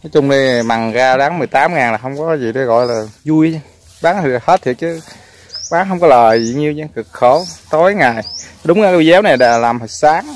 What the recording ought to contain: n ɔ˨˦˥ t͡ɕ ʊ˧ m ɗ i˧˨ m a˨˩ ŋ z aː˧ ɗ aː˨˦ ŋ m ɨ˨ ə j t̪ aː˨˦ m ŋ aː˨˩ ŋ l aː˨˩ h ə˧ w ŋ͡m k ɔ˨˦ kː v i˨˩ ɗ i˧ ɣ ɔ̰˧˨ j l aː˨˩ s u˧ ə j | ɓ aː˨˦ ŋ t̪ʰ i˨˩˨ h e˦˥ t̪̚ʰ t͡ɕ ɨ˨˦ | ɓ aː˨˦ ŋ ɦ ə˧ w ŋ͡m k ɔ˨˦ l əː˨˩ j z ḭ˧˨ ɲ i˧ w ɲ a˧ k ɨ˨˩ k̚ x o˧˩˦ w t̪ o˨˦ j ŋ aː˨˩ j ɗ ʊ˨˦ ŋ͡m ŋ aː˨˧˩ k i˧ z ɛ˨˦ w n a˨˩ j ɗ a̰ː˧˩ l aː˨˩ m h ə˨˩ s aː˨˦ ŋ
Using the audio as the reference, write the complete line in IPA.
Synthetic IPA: n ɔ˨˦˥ t͡ɕ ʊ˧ ŋ͡m ɗ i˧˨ m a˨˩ ŋ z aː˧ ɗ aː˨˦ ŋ m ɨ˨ ə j t̪ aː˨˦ m ŋ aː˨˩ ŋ l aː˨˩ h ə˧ w ŋ͡m k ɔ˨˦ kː z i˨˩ ɗ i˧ ɣ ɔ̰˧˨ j l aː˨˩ z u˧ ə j | ɓ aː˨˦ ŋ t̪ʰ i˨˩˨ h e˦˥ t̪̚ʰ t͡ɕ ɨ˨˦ | ɓ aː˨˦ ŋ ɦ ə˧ w ŋ͡m k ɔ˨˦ l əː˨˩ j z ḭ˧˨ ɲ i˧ w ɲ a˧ k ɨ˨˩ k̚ x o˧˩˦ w t̪ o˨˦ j ŋ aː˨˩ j ɗ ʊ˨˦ ŋ͡m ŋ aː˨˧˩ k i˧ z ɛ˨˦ w n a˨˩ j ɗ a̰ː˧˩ l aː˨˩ m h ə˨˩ s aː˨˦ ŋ